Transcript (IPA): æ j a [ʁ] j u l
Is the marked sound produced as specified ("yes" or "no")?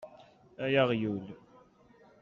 yes